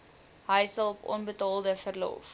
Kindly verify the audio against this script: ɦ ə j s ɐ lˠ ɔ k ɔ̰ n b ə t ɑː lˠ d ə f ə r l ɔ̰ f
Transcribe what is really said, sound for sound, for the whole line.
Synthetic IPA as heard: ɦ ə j s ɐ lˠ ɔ p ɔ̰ n b ə t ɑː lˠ d ə f ə r l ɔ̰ f